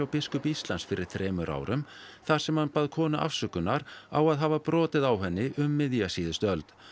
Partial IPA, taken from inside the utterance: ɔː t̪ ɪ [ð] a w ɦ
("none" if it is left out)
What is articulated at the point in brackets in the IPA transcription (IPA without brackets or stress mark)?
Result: ð